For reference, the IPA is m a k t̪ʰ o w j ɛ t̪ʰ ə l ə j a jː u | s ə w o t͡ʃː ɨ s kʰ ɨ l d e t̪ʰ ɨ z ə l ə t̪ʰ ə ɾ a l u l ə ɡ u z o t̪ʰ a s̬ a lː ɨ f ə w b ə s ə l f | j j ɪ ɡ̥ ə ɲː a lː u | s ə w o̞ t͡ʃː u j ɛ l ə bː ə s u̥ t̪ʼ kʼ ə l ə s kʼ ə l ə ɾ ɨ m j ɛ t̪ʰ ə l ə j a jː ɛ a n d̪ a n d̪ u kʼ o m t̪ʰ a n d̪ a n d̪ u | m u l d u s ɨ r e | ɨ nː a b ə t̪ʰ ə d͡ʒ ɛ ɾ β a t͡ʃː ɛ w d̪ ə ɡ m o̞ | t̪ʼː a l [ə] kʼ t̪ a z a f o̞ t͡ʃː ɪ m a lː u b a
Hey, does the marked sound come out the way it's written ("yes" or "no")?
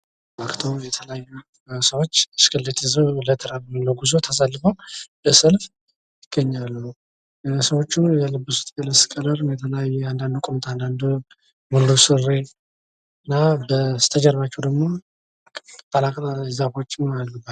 no